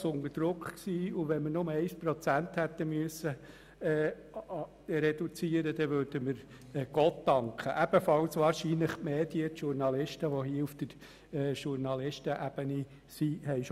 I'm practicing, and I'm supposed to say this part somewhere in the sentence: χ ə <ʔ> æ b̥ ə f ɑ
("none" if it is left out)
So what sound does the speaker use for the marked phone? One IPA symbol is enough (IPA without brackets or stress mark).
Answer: ʔ